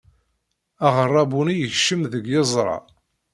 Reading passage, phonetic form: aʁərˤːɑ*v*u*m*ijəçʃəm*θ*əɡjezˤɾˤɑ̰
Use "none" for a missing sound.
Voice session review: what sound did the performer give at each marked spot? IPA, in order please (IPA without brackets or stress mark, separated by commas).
b, n, ð